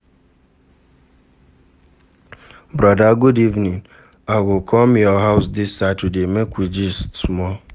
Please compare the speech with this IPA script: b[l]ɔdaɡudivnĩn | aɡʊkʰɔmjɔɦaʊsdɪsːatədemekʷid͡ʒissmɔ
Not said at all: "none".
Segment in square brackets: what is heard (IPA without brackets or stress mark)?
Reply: ɾ